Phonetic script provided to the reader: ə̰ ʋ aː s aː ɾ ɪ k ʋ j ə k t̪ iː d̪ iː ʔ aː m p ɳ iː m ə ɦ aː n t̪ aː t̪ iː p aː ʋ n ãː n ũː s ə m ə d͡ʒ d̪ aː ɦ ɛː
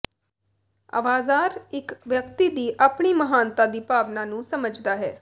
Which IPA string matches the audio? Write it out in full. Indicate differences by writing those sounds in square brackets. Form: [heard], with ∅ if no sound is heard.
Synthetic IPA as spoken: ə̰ ʋ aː [z] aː ɾ ɪ k ʋ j ə k t̪ iː d̪ iː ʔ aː [∅] p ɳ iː m ə ɦ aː n t̪ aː [d̪] iː p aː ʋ n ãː n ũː s ə m ə d͡ʒ d̪ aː ɦ ɛː